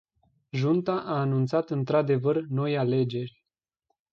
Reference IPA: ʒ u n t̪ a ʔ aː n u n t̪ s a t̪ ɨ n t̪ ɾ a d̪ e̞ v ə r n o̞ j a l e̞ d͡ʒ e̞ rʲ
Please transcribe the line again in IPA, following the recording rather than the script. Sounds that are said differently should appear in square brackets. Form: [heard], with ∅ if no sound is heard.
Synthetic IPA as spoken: ʒ u n t̪ a ʔ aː n u n t̪ s a t̪ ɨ n t̪ ɾ a d̪ e̞ v ə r n o̞ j a l e̞ d͡ʒ e̞ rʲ

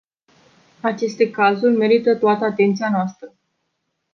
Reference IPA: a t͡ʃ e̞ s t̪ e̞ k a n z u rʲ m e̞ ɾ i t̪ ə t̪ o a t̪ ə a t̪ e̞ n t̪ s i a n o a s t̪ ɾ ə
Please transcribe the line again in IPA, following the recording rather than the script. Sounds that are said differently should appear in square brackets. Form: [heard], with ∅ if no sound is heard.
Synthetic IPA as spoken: a t͡ʃ e̞ s t̪ e̞ k a [∅] z u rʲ m e̞ ɾ i t̪ ə t̪ o a t̪ ə a t̪ e̞ n t̪ s i a n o a s t̪ ɾ ə

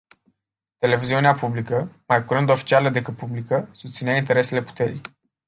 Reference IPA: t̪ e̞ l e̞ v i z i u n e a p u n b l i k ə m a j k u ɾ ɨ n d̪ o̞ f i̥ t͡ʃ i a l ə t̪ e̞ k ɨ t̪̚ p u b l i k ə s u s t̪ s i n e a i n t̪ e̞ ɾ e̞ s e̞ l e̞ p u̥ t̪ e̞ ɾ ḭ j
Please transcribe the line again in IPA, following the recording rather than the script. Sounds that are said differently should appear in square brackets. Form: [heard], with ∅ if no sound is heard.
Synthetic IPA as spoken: t̪ e̞ l e̞ v i z i u n e a p u [∅] b l i k ə m a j k u ɾ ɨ n d̪ o̞ f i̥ t͡ʃ i a l ə [d̪] e̞ k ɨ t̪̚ p u b l i k ə s u s t̪ s i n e a i n t̪ e̞ ɾ e̞ s e̞ l e̞ p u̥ t̪ e̞ ɾ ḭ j

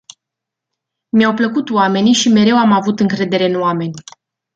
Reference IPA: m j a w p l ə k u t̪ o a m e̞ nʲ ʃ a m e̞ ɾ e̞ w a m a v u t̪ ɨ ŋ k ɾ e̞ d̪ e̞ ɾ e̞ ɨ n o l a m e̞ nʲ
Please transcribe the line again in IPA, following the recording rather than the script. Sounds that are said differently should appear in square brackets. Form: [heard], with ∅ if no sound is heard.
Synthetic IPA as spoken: m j a w p l ə k u t̪ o a m e̞ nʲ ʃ [i] m e̞ ɾ e̞ w a m a v u t̪ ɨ ŋ k ɾ e̞ d̪ e̞ ɾ e̞ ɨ n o [∅] a m e̞ nʲ

